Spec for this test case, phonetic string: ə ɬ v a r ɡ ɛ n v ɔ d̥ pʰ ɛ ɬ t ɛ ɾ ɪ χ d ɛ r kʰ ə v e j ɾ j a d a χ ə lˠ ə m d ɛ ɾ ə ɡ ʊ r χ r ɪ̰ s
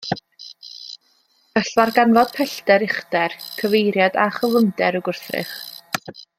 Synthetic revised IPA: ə ɬ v a r ɡ a n v ɔ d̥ pʰ ɛ ɬ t ɛ ɾ ɪ χ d ɛ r kʰ ə v e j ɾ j a d a χ ə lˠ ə m d ɛ ɾ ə ɡ ʊ r θ r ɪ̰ χ